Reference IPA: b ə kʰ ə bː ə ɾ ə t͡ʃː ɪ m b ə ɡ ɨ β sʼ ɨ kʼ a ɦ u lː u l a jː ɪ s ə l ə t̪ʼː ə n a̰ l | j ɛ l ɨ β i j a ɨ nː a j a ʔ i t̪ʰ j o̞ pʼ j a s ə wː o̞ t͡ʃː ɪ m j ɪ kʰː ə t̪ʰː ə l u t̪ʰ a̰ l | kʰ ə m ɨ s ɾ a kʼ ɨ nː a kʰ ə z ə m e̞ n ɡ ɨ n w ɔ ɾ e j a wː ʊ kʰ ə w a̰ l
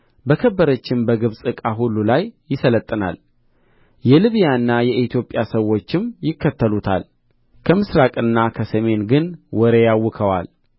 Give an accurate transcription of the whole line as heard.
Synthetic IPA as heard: b ə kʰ ə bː ə ɾ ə t͡ʃː ɪ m b ə ɡ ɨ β sʼ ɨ kʼ a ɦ u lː u l a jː ɪ s ə l ə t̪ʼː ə n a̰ l | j ɛ l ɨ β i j a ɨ nː a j ɛ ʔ i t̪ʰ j o̞ pʼ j a s ə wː o̞ t͡ʃː ɪ m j ɪ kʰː ə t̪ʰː ə l u t̪ʰ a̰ l | kʰ ə m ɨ s ɾ a kʼ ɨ nː a kʰ ə s ə m e̞ n ɡ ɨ n w ɔ ɾ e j a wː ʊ kʰ ə w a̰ l